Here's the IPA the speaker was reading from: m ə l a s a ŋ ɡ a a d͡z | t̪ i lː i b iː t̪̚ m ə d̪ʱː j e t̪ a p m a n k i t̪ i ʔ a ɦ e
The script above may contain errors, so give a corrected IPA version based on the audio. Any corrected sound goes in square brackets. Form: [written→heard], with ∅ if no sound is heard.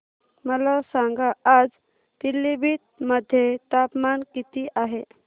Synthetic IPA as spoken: m ə l a s a ŋ ɡ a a d͡z | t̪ i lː i b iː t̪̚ m ə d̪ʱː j e t̪ a p m a n k i t̪ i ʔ a ɦ e

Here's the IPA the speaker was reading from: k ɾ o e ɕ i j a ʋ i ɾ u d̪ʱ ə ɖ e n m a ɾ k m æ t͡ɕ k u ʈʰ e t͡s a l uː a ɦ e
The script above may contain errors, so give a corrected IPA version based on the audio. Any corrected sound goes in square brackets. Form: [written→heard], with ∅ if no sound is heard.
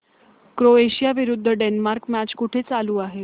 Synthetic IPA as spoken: k ɾ o e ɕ i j a ʋ i ɾ u [d̪ʱ→d̪ʱː] ə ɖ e n m a ɾ k m æ t͡ɕ k u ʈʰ e t͡s a l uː a ɦ e

